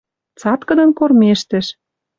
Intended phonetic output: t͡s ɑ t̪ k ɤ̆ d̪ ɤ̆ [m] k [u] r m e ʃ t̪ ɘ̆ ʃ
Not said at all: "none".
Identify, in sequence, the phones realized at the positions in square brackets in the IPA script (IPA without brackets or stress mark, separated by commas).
n, o